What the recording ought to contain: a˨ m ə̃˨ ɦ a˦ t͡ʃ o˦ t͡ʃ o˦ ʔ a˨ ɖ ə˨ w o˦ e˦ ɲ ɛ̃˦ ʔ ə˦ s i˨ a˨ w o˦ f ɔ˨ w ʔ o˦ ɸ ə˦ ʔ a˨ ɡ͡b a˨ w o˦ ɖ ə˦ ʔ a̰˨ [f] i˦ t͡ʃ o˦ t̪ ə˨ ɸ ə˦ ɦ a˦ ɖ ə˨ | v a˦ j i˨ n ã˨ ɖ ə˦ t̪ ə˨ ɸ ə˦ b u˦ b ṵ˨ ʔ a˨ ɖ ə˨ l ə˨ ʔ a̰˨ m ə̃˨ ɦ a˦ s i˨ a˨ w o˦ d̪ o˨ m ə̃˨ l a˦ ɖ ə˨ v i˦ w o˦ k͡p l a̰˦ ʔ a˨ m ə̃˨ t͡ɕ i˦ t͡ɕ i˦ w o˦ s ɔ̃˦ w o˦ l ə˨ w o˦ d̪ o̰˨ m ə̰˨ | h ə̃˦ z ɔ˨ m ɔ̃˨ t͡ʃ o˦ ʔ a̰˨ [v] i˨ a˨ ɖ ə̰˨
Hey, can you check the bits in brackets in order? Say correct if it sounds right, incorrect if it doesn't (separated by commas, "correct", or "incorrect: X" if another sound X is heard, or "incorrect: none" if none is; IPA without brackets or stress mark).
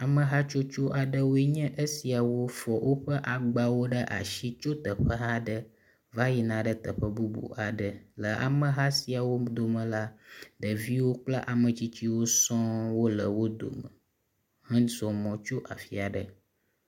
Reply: incorrect: ʃ, incorrect: f